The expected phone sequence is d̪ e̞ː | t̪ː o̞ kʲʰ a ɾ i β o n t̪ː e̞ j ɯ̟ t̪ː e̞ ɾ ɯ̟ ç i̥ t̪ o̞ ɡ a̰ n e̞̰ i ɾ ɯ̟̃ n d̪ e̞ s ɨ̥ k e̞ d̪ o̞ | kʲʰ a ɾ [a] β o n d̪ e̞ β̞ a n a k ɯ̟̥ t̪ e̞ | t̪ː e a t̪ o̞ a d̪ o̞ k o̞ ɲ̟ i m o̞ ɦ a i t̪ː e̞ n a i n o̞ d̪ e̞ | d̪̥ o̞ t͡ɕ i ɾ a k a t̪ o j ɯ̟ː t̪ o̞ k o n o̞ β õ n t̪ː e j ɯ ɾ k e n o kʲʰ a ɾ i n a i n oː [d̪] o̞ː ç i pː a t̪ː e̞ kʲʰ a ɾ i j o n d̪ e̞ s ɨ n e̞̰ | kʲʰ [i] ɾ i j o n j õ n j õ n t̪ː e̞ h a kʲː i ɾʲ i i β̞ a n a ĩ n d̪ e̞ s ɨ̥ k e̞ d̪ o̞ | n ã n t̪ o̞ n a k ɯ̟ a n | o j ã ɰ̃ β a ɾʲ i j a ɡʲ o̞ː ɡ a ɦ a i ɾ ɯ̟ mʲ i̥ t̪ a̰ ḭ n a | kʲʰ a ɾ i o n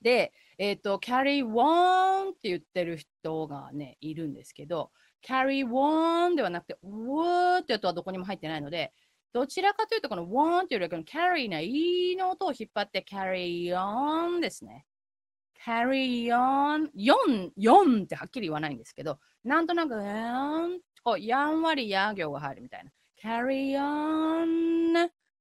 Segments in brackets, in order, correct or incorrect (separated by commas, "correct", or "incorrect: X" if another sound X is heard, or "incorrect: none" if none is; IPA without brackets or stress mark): incorrect: i, incorrect: t̪, incorrect: a